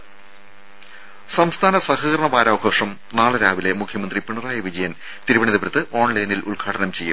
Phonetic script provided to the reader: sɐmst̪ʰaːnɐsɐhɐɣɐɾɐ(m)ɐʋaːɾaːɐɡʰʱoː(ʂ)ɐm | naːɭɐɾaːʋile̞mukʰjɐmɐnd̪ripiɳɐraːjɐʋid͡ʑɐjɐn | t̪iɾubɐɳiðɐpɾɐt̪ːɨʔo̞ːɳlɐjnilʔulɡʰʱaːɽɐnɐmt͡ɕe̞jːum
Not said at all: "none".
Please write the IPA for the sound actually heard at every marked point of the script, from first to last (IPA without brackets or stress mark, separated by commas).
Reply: ɳ, ʂ